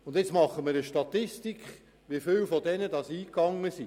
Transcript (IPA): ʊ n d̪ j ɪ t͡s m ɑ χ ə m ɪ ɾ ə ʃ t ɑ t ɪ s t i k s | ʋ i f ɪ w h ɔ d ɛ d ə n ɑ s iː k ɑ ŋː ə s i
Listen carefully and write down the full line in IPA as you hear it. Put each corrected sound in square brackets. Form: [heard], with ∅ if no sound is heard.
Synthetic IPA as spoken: ʊ n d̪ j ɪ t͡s m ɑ χ ə m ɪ ɾ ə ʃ t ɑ t ɪ s t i k [χ] | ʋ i f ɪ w [f] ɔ d ɛ [n] ə [d] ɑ s iː k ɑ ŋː ə s i